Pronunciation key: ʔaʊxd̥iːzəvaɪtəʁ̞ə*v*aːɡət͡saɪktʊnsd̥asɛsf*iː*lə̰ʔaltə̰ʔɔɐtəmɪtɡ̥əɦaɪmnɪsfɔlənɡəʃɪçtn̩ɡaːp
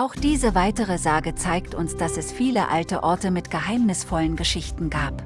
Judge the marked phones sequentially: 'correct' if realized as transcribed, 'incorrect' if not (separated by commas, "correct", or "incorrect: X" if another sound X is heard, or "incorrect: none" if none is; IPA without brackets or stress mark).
incorrect: z, correct